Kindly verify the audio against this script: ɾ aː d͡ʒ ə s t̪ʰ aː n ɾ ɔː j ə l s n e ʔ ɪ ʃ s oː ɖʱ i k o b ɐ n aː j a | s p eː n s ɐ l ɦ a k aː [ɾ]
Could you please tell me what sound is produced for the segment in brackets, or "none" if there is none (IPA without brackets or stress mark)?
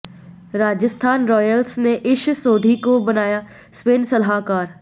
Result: ɾ